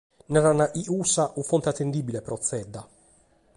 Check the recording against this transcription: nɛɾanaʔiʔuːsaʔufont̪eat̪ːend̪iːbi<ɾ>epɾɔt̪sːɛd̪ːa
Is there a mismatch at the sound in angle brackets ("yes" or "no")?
yes